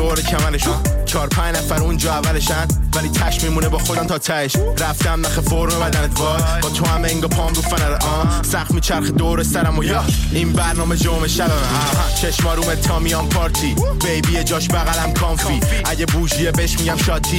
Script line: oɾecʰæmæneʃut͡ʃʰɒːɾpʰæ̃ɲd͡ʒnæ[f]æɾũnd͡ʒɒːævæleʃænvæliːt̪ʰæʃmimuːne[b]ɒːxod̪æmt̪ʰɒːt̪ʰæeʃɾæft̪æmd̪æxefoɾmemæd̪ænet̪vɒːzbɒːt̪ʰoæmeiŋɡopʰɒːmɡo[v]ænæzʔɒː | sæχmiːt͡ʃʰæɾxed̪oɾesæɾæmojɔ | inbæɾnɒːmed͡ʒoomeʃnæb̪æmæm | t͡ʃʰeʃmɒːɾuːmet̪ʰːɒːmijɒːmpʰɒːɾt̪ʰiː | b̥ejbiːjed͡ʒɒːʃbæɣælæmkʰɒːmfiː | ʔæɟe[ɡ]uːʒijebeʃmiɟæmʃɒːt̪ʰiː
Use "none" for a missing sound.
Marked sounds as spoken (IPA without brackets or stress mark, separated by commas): f, b, f, b